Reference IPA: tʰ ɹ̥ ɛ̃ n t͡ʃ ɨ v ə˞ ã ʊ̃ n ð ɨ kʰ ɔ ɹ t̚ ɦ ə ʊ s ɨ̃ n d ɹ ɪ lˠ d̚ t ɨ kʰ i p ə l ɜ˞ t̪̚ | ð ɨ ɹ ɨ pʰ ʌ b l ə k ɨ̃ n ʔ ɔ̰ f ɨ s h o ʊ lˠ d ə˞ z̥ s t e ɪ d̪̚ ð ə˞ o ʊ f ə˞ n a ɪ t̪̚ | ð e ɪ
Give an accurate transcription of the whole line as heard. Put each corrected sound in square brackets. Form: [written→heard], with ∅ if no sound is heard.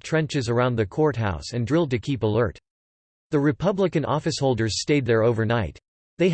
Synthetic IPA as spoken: tʰ ɹ̥ ɛ̃ n t͡ʃ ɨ [v→z] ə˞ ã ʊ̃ n ð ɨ kʰ ɔ ɹ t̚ ɦ [ə→a] ʊ s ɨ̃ n d ɹ ɪ lˠ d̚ t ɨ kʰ i p ə l ɜ˞ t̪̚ | ð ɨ ɹ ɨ pʰ ʌ b l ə k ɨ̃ n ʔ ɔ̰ f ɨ s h o ʊ lˠ d ə˞ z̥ s t e ɪ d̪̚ ð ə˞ o ʊ [f→v] ə˞ n a ɪ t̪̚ | ð e ɪ

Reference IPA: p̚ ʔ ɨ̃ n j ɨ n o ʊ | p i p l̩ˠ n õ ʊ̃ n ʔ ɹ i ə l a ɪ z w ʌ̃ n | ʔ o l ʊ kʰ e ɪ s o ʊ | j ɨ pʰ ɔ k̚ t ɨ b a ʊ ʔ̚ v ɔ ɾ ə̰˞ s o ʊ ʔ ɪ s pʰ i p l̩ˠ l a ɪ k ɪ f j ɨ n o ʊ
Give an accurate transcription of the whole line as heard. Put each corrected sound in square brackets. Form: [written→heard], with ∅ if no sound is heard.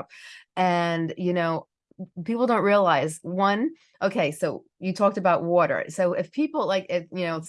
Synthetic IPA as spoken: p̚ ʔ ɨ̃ n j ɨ n o ʊ | p i p l̩ˠ [n→d] õ ʊ̃ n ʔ ɹ i ə l a ɪ z w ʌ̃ n | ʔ o [l→∅] ʊ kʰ e ɪ s o ʊ | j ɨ [pʰ→tʰ] ɔ k̚ t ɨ b a ʊ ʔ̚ [v→w] ɔ ɾ ə̰˞ s o ʊ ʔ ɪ [s→f] pʰ i p l̩ˠ l a ɪ k ɪ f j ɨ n o ʊ

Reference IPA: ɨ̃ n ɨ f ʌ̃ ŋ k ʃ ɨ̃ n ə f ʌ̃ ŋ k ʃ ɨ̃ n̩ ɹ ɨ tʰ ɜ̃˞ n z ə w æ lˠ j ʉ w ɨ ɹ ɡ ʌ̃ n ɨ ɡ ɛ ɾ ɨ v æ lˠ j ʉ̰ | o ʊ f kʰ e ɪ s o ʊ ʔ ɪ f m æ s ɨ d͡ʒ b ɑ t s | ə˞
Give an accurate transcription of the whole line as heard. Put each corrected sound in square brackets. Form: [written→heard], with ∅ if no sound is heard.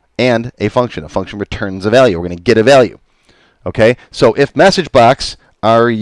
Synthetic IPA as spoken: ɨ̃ n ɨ f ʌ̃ ŋ k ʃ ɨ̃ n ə f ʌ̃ ŋ k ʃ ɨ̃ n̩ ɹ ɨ tʰ ɜ̃˞ n z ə [w→v] æ lˠ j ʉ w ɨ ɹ ɡ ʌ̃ n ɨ ɡ ɛ ɾ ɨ v æ lˠ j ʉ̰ | o ʊ [f→∅] kʰ e ɪ s o ʊ ʔ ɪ f m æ s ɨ d͡ʒ b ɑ [t→k] s | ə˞

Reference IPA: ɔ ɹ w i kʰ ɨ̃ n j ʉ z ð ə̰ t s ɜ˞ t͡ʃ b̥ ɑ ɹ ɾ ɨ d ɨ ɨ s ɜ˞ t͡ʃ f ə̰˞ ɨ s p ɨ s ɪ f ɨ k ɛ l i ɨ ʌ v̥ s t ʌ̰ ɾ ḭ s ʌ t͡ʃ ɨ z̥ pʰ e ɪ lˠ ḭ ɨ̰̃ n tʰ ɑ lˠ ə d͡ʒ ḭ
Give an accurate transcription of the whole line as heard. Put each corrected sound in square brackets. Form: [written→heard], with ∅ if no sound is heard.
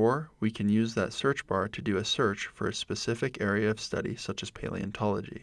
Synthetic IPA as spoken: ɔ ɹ w i kʰ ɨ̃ n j ʉ z ð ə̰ t s ɜ˞ t͡ʃ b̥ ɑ ɹ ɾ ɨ d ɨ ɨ s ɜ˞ t͡ʃ f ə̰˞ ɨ s p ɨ s ɪ f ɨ k ɛ [l→ɹ] i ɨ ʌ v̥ s t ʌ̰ ɾ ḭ s ʌ t͡ʃ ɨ z̥ pʰ e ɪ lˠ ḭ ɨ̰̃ n tʰ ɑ lˠ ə d͡ʒ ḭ

